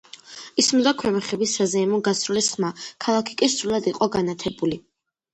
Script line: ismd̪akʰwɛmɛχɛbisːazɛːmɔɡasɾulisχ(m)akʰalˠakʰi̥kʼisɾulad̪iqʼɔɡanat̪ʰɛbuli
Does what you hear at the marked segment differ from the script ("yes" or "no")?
no